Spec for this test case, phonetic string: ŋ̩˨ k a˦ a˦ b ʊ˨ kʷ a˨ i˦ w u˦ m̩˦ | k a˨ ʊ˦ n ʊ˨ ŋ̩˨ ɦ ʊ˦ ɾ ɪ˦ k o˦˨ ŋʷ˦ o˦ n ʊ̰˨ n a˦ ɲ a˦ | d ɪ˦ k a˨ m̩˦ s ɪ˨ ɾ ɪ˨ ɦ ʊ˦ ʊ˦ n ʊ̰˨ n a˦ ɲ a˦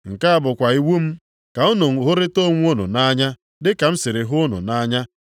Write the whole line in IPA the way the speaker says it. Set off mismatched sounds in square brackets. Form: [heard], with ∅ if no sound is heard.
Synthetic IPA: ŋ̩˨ k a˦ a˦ b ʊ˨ kʷ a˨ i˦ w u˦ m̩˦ | k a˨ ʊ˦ n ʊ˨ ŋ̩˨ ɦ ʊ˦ ɾ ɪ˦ [t] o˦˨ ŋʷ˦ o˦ n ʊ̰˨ n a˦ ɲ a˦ | d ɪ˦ k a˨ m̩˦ s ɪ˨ ɾ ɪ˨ ɦ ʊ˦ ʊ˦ n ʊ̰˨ n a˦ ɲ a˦